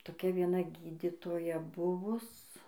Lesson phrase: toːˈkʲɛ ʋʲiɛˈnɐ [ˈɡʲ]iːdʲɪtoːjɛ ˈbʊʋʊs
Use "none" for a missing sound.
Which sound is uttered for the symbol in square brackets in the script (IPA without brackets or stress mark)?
ɡʲ